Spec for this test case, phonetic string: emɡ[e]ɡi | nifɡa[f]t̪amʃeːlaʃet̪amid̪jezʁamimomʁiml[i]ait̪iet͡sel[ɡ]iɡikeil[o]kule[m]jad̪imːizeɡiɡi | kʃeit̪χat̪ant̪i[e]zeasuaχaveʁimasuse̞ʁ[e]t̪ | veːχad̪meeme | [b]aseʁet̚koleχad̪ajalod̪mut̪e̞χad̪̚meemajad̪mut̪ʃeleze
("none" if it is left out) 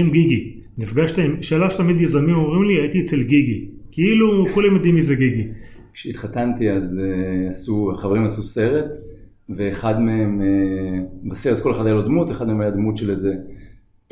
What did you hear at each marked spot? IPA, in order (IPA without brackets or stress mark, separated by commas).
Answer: i, ʃ, i, ɡ, u, m, a, e, b